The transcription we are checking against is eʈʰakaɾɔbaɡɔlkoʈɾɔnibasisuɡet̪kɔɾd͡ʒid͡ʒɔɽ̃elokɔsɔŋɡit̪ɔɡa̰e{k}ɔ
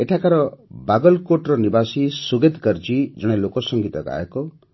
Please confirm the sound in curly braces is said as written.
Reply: yes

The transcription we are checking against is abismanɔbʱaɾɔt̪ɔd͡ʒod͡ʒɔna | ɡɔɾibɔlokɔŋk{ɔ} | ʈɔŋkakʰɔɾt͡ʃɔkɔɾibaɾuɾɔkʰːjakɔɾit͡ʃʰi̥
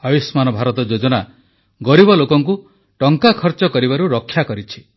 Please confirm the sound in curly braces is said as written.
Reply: no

